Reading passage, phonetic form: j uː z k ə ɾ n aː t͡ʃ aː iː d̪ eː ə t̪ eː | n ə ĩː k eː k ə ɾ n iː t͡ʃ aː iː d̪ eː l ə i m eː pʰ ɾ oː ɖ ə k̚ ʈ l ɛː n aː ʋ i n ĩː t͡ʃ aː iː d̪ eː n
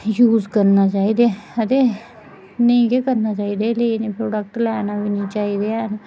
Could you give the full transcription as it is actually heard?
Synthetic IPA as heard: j uː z k ə ɾ n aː t͡ʃ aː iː d̪ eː ə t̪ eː | n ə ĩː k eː k ə ɾ n aː t͡ʃ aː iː d̪ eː l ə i n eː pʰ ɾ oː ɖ ə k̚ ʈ l ɛː n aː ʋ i n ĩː t͡ʃ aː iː d̪ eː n